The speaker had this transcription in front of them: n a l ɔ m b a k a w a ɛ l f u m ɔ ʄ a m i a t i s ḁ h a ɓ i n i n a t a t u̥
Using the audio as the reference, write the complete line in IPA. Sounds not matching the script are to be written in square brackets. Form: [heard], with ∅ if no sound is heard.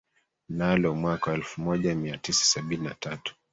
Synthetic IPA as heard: n a l ɔ m [w] a k a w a ɛ l f u m ɔ ʄ a m i a t i s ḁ [s] a ɓ i n i n a t a t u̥